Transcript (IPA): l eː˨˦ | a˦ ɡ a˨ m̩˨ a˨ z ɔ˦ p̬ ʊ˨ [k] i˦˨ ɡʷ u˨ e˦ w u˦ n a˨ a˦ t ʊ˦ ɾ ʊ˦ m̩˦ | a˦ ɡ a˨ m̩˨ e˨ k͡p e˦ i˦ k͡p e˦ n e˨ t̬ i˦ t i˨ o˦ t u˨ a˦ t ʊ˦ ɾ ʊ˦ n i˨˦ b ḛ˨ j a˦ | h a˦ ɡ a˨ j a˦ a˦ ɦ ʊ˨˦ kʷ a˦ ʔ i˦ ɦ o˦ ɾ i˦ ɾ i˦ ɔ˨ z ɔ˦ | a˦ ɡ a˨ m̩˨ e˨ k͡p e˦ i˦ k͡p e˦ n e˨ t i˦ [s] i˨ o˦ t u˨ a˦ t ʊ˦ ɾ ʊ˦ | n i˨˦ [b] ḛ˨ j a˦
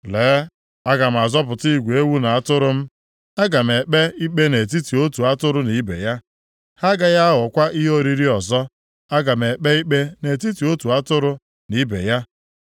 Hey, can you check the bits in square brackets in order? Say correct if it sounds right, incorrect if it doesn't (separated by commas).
incorrect, incorrect, correct